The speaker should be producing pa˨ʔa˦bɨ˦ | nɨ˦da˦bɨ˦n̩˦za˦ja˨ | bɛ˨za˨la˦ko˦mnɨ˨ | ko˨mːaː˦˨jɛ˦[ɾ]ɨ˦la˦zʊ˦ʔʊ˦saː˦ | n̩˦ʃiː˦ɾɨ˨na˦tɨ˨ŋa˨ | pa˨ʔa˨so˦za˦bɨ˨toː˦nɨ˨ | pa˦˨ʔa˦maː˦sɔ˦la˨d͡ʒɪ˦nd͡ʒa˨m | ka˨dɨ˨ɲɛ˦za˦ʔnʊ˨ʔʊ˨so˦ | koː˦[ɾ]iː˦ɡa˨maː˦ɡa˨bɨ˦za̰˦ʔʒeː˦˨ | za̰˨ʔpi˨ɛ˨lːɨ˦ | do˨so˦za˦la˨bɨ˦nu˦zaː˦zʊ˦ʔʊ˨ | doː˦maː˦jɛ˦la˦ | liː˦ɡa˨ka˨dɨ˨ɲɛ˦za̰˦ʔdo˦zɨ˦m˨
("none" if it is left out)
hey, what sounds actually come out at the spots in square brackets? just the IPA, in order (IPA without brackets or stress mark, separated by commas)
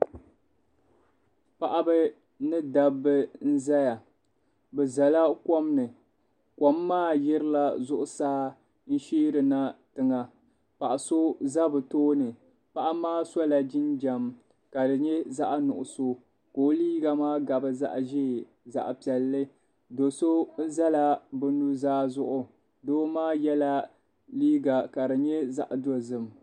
ɾ, l